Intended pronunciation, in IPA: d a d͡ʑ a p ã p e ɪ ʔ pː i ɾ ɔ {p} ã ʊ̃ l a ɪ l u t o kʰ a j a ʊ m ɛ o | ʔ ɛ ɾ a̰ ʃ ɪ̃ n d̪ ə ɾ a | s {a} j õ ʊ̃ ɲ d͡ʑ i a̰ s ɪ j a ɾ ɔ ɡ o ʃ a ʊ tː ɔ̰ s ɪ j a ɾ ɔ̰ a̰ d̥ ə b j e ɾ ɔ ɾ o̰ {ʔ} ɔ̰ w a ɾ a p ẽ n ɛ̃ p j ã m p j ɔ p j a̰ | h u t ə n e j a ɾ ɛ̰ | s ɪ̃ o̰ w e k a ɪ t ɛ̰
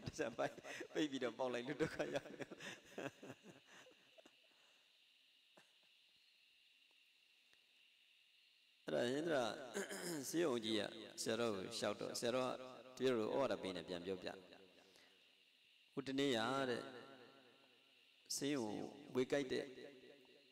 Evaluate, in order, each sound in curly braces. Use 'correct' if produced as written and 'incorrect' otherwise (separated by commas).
correct, incorrect, correct